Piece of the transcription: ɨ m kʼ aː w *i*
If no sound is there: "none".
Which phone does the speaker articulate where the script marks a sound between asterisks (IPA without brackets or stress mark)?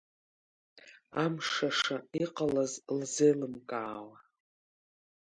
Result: a